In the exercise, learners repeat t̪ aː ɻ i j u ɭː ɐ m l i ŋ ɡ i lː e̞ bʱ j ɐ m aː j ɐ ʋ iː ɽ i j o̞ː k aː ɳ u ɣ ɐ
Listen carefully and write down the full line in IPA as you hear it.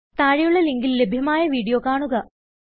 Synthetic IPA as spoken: t̪ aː ɻ i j u ɭː ɐ l i ŋ ɡ i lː e̞ bʱ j ɐ m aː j ɐ ʋ iː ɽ i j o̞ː k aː ɳ u ɣ ɐ